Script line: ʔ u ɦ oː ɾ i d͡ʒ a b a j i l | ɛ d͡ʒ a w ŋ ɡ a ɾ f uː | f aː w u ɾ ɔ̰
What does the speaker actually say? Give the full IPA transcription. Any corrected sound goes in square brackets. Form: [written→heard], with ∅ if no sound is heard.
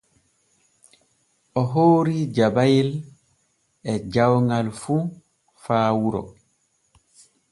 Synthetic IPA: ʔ [u→ɔ] ɦ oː ɾ i d͡ʒ a b a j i l | ɛ d͡ʒ a w ŋ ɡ a [ɾ→l] f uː | f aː w u ɾ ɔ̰